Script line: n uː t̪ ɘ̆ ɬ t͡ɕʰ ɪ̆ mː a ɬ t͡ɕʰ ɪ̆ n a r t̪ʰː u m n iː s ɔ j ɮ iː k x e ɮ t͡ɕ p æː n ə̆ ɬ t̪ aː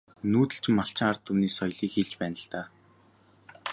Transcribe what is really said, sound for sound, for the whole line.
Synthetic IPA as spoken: n uː t̪ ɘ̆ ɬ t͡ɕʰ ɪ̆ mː a ɬ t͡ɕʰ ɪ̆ ŋ a r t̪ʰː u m n iː s ɔ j ɮ iː k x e ɮ t͡ɕ p æː n ə̆ ɬ t̪ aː